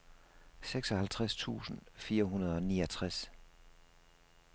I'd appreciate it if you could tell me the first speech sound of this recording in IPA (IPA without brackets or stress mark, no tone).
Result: s